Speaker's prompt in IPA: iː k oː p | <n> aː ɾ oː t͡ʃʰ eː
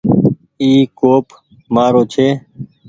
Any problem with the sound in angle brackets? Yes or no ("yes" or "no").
yes